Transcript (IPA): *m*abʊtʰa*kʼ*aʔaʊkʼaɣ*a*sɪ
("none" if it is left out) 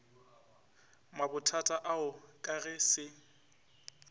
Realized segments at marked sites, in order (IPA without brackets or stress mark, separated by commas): m, tʼ, ɛ